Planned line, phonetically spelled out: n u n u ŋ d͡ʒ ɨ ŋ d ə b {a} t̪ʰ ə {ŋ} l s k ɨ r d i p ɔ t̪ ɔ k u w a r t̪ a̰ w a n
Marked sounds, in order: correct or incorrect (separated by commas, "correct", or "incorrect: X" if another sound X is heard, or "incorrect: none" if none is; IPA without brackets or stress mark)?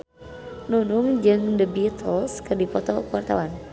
incorrect: i, incorrect: none